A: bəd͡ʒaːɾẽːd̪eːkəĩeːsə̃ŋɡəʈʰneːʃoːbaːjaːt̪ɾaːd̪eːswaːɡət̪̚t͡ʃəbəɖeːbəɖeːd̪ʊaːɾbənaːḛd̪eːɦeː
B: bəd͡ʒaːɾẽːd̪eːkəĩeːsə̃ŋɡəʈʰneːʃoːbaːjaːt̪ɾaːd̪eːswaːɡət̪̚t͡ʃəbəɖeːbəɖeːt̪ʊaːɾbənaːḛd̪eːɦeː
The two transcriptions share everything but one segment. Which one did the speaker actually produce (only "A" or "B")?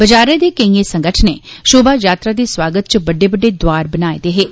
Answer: A